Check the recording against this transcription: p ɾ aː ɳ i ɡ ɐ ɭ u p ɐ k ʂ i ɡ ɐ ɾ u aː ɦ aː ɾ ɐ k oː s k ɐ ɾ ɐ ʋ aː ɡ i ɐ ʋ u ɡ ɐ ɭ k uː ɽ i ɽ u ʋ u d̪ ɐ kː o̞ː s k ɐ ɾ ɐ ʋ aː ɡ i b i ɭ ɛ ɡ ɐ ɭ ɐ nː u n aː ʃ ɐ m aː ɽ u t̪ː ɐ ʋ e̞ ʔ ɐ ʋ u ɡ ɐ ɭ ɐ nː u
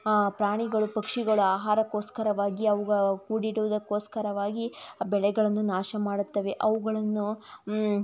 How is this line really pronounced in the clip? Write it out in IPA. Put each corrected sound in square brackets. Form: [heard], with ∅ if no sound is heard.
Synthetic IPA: p ɾ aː ɳ i ɡ ɐ ɭ u p ɐ k ʂ i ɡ ɐ [ɭ] u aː ɦ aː ɾ ɐ k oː s k ɐ ɾ ɐ ʋ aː ɡ i ɐ ʋ u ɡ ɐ ɭ k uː ɽ i ɽ u ʋ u d̪ ɐ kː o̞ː s k ɐ ɾ ɐ ʋ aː ɡ i b [ɛ] ɭ ɛ ɡ ɐ ɭ ɐ nː u n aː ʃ ɐ m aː ɽ u t̪ː ɐ ʋ e̞ ʔ ɐ ʋ u ɡ ɐ ɭ ɐ nː u